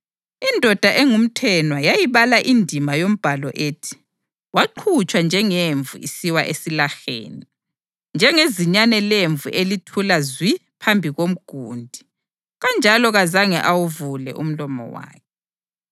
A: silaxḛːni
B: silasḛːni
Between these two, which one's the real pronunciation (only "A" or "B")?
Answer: A